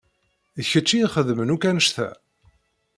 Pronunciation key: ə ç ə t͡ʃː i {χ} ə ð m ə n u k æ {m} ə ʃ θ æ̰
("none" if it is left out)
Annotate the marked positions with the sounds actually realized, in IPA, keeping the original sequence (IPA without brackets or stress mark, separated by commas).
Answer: χ, n